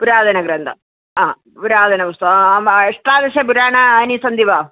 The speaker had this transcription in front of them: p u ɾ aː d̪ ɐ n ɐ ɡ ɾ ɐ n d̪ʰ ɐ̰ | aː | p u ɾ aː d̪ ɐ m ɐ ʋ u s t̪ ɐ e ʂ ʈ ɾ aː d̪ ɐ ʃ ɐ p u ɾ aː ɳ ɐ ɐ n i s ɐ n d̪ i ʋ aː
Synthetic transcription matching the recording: p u ɾ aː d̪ ɐ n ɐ ɡ ɾ ɐ n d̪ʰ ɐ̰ | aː | p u ɾ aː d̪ ɐ n ɐ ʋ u s t̪ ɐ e ʂ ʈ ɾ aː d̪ ɐ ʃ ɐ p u ɾ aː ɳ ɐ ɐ n i s ɐ n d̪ i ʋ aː